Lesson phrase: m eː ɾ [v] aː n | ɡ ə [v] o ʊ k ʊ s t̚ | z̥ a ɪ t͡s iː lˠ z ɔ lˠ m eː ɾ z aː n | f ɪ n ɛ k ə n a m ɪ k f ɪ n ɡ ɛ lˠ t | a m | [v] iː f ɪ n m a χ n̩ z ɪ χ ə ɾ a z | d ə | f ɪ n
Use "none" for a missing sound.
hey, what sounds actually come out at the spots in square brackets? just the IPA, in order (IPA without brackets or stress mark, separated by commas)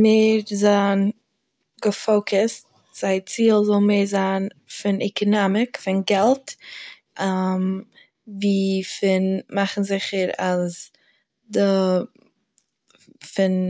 z, f, v